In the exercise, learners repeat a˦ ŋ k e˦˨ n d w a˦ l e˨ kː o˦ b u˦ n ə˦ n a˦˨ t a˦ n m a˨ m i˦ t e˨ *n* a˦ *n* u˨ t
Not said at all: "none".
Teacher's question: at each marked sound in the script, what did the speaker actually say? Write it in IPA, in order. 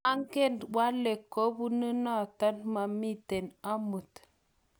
n, m

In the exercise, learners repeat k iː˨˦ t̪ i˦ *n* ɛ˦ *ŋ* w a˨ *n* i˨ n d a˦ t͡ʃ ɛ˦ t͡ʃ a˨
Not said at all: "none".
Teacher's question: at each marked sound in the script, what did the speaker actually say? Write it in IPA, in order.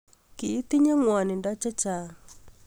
ɲ, ŋ, n

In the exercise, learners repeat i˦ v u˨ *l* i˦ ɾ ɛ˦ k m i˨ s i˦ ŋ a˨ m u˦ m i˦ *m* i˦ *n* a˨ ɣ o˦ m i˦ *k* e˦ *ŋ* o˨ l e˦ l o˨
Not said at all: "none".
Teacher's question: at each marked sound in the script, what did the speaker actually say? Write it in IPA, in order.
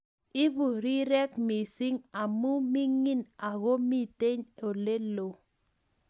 ɾ, ŋ, n, t, ɲ

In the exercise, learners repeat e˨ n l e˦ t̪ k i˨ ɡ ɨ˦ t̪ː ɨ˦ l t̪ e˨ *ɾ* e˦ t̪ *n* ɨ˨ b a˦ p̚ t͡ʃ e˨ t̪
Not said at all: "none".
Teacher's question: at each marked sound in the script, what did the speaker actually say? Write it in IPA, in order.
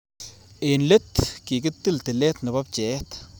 l, n

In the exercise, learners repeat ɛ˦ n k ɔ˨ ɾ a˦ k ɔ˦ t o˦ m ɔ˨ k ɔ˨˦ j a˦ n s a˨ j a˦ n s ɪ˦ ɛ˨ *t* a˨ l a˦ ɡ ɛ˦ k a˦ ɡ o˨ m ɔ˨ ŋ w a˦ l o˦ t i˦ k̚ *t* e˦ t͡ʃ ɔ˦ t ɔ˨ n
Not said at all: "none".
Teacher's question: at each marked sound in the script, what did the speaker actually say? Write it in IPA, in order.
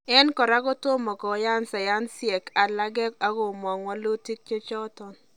k, t͡ʃ

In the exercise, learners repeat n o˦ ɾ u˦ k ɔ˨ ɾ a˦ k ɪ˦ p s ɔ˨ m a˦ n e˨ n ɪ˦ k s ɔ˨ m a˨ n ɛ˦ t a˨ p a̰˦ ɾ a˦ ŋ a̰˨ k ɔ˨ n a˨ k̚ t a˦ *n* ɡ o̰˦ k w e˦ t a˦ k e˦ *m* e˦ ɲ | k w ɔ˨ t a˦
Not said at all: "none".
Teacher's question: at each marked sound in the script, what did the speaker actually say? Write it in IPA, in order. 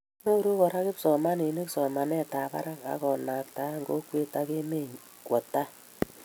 ŋ, m

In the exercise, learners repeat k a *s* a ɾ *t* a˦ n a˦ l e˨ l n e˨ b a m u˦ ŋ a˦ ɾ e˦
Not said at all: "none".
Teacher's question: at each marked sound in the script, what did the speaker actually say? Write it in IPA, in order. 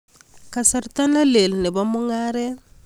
s, t

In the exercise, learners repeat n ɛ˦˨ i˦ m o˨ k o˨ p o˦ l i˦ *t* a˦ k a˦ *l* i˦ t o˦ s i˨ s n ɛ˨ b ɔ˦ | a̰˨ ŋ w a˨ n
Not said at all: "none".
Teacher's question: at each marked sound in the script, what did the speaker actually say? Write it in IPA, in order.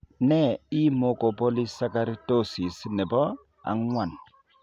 s, ɾ

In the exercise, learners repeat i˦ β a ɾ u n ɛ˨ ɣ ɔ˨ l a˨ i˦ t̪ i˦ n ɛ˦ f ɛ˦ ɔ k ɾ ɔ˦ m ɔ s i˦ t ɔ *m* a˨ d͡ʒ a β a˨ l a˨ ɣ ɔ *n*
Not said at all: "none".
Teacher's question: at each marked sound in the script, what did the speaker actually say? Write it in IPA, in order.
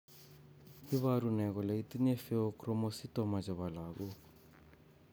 m, none

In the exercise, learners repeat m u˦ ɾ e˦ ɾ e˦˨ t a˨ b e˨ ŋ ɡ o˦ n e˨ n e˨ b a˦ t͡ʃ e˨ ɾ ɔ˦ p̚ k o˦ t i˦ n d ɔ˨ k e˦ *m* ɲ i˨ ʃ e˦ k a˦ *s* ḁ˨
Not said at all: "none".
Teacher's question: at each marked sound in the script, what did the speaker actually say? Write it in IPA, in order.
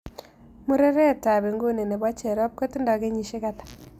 none, t

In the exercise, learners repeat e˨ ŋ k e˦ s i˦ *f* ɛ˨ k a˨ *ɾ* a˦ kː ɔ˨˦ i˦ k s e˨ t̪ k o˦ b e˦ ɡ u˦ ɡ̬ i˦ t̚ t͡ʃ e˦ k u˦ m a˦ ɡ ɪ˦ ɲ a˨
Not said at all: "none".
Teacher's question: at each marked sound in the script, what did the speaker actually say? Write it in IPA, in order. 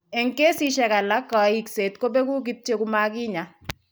ʃ, l

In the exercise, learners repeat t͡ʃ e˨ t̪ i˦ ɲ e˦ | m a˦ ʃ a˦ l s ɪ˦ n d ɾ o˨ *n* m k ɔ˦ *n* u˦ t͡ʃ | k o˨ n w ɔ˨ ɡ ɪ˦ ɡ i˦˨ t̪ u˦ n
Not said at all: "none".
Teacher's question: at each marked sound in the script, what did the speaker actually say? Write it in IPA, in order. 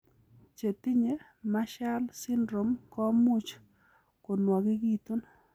none, m

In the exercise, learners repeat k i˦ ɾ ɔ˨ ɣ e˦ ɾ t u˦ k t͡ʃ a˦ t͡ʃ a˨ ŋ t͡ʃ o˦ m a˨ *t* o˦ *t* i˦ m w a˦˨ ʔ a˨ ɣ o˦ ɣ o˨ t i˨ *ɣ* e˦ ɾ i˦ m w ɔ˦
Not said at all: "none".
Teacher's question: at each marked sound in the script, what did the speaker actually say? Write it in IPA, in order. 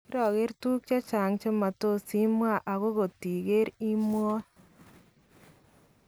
t, s, ɣ

